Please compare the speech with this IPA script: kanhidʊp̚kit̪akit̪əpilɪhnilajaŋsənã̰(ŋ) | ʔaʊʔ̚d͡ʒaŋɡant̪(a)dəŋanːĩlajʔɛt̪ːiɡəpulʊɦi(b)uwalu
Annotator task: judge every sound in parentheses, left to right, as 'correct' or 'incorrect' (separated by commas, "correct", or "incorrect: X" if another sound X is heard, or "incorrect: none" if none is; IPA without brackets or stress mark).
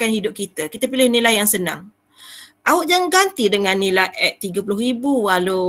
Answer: correct, incorrect: i, correct